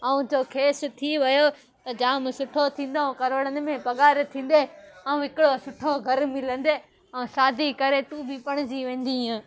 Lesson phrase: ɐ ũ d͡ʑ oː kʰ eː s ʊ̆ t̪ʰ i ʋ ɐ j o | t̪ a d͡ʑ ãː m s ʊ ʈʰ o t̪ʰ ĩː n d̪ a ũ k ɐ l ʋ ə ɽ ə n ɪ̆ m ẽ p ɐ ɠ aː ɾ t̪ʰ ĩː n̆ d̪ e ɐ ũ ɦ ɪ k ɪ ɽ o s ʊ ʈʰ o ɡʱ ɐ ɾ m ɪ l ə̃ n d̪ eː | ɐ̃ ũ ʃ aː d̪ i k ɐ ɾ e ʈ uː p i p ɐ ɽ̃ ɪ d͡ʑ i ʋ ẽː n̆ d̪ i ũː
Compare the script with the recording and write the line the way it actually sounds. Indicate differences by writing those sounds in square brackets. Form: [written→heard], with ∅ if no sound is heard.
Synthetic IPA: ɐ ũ d͡ʑ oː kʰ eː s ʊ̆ t̪ʰ i ʋ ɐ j o | t̪ [a→ɐ] d͡ʑ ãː m s ʊ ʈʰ o t̪ʰ ĩː n d̪ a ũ k ɐ [l→ɾ] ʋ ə ɽ ə n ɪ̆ m ẽ p ɐ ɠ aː ɾ t̪ʰ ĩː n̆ d̪ e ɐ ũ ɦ ɪ k ɪ ɽ o s ʊ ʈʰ o ɡʱ ɐ ɾ m ɪ l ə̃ n d̪ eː | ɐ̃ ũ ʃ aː d̪ i k ɐ ɾ e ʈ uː [p→b] i p ɐ ɽ̃ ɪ d͡ʑ i ʋ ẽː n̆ d̪ i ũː